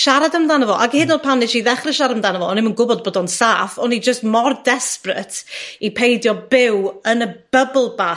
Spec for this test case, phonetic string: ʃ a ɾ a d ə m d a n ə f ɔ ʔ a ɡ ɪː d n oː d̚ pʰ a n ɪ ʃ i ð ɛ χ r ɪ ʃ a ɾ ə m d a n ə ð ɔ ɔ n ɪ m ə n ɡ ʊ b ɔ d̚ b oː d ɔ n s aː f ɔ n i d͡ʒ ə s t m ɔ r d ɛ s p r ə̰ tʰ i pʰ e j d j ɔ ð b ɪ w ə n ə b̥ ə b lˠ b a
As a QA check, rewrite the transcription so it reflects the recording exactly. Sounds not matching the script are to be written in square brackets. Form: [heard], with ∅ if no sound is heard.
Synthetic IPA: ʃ a ɾ a d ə m d a n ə [v] ɔ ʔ a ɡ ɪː d n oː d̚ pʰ a n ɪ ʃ i ð ɛ χ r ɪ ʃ a ɾ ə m d a n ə [v] ɔ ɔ n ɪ m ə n ɡ ʊ b ɔ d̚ b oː d ɔ n s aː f ɔ n i d͡ʒ ə s t m ɔ r d ɛ s p r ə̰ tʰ i pʰ e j d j ɔ [∅] b ɪ w ə n ə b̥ ə b lˠ b a